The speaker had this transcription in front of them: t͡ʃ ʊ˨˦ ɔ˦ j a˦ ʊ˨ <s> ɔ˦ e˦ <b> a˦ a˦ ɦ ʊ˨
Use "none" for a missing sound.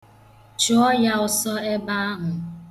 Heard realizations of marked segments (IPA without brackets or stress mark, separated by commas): s, b